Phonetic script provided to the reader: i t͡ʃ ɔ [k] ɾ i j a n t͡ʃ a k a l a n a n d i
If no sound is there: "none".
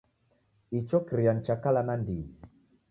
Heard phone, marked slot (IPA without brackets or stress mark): k